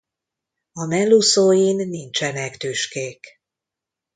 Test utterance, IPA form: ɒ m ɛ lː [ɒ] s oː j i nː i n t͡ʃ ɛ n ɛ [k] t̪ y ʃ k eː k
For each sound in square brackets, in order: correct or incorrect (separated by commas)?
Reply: incorrect, correct